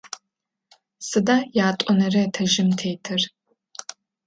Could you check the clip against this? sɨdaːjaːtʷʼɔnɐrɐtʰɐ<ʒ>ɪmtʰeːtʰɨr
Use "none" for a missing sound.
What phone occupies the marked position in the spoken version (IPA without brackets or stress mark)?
ʒ